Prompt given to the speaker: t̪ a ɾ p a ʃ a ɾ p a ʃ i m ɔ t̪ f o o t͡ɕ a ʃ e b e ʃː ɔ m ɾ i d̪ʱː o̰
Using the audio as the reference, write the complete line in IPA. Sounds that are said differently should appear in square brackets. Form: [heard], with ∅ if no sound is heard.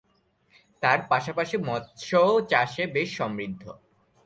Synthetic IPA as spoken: t̪ a ɾ p a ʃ a [∅] p a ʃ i m ɔ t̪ [ʃ] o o t͡ɕ a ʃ e b e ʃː ɔ m ɾ i d̪ʱː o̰